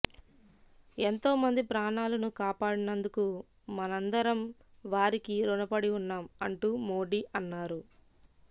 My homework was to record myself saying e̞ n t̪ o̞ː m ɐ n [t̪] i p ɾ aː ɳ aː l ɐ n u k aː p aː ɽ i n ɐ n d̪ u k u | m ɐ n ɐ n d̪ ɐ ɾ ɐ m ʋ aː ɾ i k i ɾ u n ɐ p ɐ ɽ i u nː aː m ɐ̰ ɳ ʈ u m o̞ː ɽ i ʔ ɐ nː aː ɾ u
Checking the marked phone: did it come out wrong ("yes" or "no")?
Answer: yes